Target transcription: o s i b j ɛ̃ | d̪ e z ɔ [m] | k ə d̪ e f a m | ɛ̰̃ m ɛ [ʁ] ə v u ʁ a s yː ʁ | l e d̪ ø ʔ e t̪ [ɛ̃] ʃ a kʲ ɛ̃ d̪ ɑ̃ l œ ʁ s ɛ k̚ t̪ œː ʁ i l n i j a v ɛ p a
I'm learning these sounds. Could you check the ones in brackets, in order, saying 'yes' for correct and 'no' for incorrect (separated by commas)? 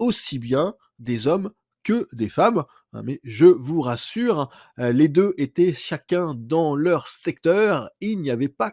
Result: yes, no, no